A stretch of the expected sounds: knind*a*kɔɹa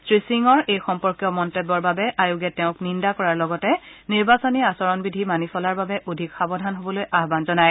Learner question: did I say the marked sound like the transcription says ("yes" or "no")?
yes